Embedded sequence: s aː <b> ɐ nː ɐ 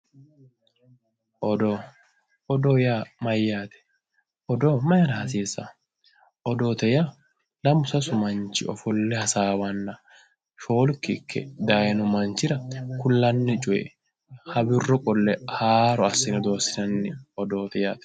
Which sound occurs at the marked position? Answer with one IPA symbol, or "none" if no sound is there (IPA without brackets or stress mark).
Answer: w